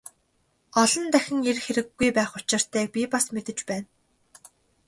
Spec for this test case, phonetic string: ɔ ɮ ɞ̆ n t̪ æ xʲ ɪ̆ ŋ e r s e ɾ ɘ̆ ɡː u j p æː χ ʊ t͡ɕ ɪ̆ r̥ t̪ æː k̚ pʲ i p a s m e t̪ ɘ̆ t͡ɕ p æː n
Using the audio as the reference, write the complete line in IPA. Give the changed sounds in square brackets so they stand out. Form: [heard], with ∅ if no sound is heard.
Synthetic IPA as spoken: ɔ ɮ ɞ̆ n t̪ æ xʲ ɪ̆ ŋ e r [x] e ɾ ɘ̆ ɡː u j p æː χ ʊ t͡ɕ ɪ̆ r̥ t̪ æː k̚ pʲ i p a s m e t̪ ɘ̆ t͡ɕ p æː n